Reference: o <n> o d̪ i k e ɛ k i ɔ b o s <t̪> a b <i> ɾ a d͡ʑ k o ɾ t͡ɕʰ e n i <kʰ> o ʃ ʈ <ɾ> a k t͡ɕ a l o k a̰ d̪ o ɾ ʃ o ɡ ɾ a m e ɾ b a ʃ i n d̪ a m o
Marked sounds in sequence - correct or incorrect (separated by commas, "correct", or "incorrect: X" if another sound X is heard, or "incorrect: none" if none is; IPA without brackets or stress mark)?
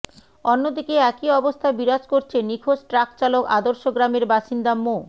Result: incorrect: nː, incorrect: t̪ʰ, correct, correct, correct